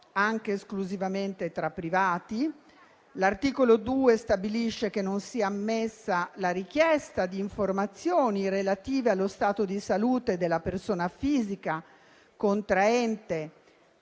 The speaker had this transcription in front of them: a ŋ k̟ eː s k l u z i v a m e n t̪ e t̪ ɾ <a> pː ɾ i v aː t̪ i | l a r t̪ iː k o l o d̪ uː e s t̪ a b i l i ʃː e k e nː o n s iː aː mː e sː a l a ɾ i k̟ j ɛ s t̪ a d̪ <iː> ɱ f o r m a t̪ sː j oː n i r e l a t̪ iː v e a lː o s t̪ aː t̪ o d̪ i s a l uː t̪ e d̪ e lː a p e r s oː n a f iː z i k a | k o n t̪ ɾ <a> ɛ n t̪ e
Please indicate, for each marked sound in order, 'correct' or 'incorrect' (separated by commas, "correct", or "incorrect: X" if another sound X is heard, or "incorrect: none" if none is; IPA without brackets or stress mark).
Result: correct, correct, correct